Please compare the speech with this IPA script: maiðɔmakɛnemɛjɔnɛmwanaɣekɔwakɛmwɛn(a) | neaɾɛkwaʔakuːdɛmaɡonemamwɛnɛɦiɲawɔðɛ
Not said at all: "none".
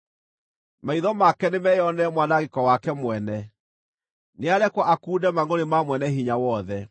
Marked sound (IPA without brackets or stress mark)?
ɛ